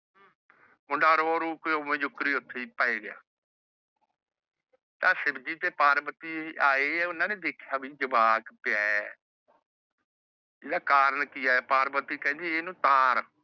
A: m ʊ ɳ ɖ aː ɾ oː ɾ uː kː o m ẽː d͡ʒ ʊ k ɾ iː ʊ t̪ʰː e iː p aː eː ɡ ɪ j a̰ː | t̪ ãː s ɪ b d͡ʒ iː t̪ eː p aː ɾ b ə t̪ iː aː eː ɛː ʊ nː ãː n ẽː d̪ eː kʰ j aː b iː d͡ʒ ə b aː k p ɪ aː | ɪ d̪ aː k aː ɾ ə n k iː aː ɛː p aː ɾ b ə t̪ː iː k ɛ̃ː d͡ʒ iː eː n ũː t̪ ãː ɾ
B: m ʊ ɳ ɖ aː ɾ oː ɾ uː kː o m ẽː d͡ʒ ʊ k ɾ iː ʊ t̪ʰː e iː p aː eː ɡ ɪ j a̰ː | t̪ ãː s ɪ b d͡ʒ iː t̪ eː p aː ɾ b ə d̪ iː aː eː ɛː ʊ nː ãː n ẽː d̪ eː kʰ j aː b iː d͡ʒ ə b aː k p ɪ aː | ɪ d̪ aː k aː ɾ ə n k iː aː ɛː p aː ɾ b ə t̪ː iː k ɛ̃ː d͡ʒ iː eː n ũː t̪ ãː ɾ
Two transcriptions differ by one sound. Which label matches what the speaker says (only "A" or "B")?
A